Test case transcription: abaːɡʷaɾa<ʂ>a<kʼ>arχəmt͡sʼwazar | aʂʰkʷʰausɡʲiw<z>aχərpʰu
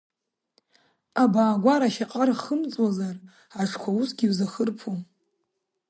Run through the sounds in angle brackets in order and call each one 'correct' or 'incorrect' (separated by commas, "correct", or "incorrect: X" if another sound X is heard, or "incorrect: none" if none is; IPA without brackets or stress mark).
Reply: incorrect: ʃ, incorrect: qʼ, correct